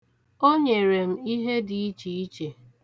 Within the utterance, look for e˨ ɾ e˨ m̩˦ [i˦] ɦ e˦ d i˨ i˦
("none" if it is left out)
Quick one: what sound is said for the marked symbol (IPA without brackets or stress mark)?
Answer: i˦